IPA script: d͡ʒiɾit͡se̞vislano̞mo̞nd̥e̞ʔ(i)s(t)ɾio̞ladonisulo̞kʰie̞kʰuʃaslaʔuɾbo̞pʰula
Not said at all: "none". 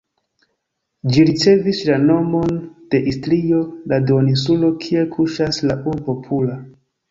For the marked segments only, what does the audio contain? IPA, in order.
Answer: i, t

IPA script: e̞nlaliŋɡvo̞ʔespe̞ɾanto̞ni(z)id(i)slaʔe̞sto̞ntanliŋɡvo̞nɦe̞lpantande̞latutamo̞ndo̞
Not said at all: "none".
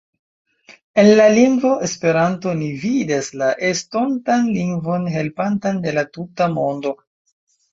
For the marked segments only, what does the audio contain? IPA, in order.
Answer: v, a

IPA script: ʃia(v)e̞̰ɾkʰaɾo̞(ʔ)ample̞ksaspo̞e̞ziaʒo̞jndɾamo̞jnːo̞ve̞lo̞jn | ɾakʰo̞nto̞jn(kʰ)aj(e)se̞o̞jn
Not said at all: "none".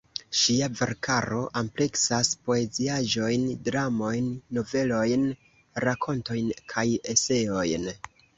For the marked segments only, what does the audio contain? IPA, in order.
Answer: v, ʔ, kʰ, e

